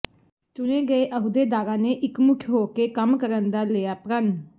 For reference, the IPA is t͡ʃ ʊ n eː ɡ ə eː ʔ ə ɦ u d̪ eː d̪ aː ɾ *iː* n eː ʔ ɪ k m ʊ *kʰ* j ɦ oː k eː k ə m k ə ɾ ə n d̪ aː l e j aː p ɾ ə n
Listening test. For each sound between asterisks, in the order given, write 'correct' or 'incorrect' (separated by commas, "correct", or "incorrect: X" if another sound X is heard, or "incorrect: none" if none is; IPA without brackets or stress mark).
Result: incorrect: aː, correct